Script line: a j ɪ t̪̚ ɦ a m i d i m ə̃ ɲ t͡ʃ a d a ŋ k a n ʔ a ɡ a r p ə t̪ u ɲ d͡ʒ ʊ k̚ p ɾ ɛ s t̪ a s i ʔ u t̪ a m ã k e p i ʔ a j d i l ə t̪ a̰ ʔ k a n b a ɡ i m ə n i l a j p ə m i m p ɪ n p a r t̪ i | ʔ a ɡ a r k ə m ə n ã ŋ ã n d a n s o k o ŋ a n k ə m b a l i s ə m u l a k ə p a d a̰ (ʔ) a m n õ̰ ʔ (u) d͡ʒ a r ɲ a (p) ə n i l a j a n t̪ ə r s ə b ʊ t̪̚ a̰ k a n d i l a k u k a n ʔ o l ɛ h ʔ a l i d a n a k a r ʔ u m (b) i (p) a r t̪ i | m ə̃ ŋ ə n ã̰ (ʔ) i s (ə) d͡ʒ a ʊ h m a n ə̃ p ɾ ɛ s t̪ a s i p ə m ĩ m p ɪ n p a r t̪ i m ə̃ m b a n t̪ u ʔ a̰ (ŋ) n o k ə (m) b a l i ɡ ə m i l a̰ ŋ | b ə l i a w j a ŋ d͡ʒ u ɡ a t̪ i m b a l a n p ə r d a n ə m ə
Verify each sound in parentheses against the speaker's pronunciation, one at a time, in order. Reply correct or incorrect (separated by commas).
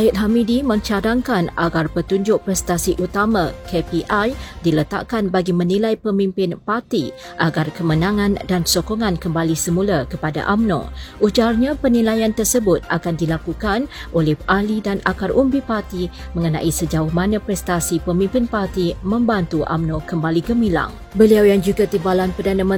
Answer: correct, correct, correct, correct, correct, correct, correct, incorrect, correct